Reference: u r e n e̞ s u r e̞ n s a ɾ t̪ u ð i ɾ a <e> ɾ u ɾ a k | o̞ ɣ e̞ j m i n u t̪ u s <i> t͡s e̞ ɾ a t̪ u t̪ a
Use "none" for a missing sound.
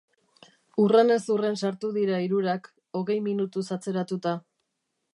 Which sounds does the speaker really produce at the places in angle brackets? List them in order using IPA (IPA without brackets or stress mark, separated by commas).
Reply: i, a